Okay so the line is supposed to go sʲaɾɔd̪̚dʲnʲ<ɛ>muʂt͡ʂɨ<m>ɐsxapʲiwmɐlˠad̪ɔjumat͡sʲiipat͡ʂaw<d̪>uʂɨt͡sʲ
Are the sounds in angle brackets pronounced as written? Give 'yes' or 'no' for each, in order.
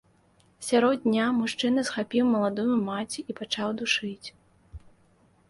no, no, yes

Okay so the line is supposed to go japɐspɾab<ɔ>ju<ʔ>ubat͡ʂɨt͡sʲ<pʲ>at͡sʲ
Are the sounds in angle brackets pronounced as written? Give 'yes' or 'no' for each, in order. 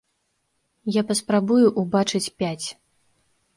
no, yes, yes

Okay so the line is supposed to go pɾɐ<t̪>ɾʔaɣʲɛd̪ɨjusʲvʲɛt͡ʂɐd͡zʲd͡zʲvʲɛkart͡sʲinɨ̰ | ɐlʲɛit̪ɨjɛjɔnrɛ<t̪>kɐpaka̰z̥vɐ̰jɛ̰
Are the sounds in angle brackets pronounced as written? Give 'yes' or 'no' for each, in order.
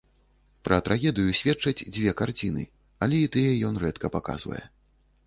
yes, yes

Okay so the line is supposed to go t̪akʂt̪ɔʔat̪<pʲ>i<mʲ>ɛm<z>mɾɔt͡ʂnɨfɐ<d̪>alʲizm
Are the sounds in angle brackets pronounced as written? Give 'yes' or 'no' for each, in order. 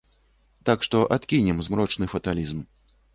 no, no, yes, no

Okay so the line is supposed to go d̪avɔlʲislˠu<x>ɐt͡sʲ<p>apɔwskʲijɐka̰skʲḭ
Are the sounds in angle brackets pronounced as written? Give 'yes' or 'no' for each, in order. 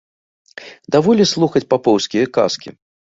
yes, yes

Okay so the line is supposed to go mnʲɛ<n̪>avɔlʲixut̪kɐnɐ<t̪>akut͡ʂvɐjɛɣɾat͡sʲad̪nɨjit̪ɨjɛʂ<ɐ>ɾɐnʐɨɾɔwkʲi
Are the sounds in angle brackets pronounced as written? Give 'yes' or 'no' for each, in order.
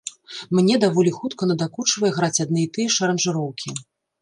no, no, yes

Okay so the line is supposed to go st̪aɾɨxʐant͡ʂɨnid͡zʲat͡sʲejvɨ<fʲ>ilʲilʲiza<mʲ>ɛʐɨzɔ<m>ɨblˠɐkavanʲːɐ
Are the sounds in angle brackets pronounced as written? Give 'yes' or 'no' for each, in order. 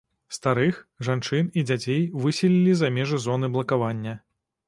no, yes, no

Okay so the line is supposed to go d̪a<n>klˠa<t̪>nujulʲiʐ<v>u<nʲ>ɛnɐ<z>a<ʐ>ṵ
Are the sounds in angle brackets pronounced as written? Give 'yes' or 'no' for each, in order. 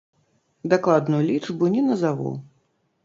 no, no, no, yes, yes, no

